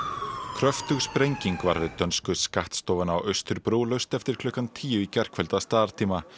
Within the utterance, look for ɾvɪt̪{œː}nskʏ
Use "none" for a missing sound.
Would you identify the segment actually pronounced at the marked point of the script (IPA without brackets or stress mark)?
œ